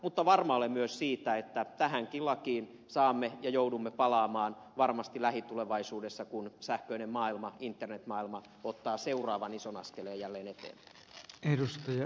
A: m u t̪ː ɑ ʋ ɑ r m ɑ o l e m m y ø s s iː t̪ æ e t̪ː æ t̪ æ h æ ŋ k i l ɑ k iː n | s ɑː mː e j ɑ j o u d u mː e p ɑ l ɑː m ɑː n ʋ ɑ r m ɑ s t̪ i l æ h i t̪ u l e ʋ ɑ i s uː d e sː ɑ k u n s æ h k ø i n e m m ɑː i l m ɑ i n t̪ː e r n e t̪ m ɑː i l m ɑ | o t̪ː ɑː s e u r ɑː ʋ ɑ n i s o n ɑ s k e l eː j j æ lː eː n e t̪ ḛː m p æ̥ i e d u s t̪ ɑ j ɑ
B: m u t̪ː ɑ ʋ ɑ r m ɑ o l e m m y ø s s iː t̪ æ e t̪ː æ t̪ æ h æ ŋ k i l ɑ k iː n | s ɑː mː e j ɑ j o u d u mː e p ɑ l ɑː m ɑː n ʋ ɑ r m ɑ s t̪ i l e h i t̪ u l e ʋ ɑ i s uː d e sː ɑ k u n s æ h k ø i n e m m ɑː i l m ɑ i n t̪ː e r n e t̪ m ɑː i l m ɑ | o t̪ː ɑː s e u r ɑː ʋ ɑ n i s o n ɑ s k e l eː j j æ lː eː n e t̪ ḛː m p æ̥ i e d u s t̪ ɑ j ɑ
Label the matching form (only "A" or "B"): A